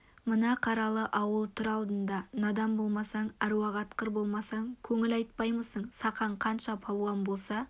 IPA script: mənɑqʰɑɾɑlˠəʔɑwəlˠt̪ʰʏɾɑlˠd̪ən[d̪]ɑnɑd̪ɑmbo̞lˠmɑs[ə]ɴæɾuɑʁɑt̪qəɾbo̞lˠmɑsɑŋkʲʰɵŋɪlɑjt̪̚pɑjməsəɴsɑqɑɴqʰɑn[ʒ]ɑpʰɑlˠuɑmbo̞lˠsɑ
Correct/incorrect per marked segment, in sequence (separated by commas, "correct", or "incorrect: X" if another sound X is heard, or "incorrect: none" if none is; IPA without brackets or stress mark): correct, incorrect: ɑ, incorrect: ʃ